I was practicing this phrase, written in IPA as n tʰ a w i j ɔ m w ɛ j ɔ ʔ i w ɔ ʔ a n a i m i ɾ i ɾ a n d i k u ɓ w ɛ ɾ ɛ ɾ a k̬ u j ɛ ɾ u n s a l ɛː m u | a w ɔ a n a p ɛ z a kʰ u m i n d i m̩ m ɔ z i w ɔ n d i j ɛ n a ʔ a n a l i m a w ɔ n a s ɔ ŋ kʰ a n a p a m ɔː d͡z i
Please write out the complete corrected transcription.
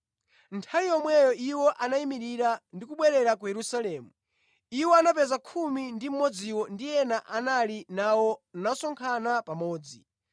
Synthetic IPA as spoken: n tʰ a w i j ɔ m w ɛ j ɔ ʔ i w ɔ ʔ a n a i m i ɾ i ɾ a n d i k u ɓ w ɛ ɾ ɛ ɾ a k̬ u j ɛ ɾ u s a l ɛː m u | i w ɔ a n a p ɛ z a kʰ u m i n d i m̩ m ɔ d͡z i w ɔ n d i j ɛ n a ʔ a n a l i n a w ɔ n a s ɔ ŋ kʰ a n a p a m ɔː d͡z i